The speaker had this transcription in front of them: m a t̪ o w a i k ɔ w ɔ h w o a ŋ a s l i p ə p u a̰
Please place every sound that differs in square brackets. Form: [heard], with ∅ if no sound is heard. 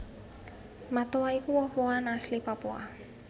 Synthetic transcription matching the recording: m a t̪ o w a i k [u] w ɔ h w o a [n] a s l i p [a] p u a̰